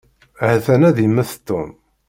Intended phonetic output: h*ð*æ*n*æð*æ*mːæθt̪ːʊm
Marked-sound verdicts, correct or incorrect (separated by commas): incorrect, correct, incorrect